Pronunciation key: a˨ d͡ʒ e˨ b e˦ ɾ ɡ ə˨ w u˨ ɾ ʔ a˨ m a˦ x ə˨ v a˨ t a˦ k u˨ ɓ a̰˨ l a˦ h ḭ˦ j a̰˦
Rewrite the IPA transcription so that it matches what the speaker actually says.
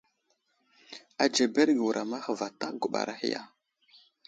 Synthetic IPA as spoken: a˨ d͡ʒ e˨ b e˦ ɾ ɡ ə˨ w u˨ ɾ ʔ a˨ m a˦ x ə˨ v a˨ t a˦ ɡ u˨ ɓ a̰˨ ɾ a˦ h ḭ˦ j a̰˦